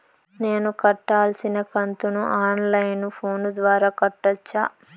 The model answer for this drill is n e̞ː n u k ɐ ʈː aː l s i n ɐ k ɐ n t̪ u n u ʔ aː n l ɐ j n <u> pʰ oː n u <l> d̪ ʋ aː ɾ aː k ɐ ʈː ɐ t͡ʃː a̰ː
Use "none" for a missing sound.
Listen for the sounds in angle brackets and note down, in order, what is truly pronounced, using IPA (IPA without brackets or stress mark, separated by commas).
u, none